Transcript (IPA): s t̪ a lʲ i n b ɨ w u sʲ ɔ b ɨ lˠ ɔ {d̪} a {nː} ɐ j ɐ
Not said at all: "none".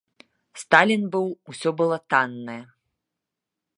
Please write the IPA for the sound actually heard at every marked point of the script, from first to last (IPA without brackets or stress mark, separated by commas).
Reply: t̪, nː